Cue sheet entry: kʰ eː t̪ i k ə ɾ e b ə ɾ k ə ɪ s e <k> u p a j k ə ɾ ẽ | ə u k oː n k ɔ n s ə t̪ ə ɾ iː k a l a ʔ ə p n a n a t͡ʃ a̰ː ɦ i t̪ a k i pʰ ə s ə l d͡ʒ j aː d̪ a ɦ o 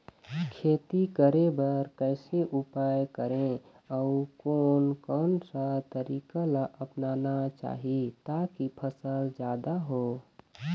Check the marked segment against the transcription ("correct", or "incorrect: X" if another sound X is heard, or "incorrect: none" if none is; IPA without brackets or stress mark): incorrect: ʔ